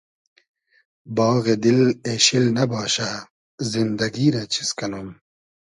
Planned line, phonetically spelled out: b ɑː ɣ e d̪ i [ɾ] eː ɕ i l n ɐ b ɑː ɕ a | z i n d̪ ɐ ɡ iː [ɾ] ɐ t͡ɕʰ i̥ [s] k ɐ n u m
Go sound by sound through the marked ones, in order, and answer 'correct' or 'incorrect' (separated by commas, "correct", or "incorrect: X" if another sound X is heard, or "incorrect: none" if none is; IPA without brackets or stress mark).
incorrect: l, correct, correct